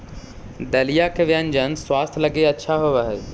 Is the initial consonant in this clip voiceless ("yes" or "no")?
no